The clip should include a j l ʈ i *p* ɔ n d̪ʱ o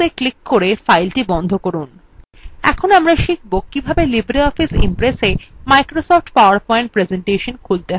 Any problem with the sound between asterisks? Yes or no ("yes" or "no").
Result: yes